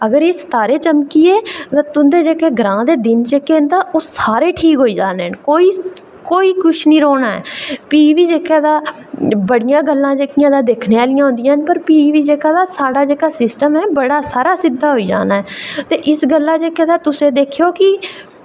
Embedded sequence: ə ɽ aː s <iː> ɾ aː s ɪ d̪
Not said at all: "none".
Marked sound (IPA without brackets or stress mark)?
aː